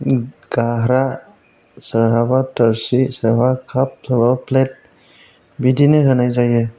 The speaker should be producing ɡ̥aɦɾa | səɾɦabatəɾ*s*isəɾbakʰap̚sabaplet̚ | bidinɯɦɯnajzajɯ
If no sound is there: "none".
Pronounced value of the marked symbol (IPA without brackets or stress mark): s